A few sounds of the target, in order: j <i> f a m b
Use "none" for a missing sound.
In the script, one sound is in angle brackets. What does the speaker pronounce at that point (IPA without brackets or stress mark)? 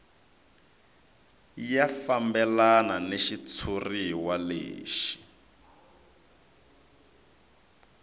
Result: a